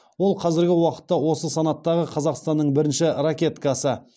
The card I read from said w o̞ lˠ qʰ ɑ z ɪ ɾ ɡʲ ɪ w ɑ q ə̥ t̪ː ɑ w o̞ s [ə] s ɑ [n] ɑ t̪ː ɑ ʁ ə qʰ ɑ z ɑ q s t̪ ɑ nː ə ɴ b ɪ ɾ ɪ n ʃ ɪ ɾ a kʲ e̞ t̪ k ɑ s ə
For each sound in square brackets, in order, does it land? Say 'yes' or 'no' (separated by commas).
yes, yes